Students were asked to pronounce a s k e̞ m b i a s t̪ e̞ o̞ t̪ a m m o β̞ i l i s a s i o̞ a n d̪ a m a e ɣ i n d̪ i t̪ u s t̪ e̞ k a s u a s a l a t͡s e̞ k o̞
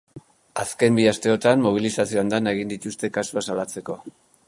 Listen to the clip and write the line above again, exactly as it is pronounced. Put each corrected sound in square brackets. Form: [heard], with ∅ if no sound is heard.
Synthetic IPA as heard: a s k e̞ m b i a s t̪ e̞ o̞ t̪ a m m o β̞ i l i s a s i o̞ a n d̪ a [n] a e ɣ i n d̪ i t̪ u s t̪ e̞ k a s u a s a l a t͡s e̞ k o̞